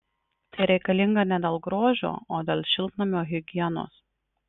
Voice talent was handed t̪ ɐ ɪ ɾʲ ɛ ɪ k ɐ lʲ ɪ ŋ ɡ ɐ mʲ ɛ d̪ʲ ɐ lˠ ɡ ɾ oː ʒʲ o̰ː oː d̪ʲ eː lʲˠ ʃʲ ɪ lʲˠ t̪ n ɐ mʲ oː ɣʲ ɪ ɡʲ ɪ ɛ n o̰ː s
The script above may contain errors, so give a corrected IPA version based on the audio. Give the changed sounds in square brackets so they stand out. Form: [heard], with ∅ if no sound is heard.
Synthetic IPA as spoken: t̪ ɐ ɪ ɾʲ ɛ ɪ k ɐ lʲ ɪ ŋ ɡ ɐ [nʲ] ɛ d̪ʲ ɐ lˠ ɡ ɾ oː ʒʲ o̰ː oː d̪ʲ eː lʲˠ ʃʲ ɪ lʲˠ t̪ n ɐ mʲ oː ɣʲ ɪ ɡʲ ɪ ɛ n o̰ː s